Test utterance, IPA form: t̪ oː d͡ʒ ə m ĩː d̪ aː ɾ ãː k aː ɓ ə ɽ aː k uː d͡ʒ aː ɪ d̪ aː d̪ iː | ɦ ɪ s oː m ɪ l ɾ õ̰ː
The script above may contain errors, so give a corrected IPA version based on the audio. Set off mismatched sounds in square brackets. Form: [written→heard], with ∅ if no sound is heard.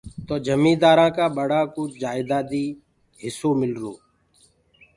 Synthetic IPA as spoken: t̪ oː d͡ʒ ə m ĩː d̪ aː ɾ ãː k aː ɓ ə ɽ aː k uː d͡ʒ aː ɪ d̪ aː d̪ iː | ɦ ɪ s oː m ɪ l ɾ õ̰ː